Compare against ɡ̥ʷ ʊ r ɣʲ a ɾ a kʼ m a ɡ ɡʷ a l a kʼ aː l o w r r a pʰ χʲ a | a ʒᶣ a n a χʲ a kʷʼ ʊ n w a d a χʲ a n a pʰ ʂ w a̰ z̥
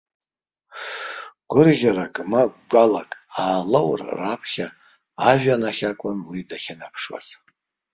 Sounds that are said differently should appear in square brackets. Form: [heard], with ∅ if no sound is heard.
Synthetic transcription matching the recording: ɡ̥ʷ ʊ r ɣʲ a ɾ a kʼ m a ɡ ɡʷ a l a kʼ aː l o w r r a pʰ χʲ a | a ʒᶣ a n a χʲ a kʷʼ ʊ n w [i] d a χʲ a n a pʰ ʂ w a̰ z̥